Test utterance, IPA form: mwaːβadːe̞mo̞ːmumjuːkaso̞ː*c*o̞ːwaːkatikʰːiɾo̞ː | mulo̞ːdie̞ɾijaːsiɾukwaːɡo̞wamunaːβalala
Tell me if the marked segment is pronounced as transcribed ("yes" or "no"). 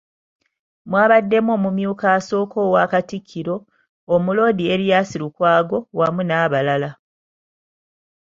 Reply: no